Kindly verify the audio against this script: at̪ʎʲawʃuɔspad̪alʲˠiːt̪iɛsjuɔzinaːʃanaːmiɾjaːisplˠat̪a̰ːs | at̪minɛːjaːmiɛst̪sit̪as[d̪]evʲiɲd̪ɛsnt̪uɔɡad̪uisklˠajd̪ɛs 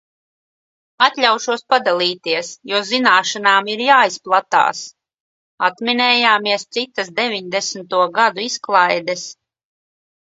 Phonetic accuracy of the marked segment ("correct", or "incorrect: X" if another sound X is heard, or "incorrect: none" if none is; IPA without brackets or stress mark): correct